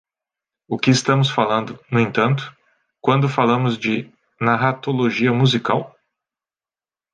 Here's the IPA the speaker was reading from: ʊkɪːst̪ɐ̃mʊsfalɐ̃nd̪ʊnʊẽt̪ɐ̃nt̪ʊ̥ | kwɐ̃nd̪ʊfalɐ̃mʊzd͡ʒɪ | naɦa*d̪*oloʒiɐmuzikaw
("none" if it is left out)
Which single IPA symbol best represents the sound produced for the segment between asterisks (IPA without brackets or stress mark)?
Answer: t̪